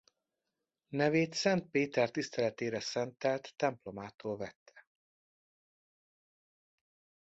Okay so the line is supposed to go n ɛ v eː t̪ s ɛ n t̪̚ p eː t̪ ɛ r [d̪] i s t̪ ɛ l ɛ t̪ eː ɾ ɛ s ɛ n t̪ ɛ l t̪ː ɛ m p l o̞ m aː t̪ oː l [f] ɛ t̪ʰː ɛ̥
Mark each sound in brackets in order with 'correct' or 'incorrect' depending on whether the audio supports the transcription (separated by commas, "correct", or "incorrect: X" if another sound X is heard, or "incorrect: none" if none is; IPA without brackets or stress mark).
incorrect: t̪, incorrect: v